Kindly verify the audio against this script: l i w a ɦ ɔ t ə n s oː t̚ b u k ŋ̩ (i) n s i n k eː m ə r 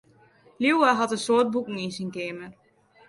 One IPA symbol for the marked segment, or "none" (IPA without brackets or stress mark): i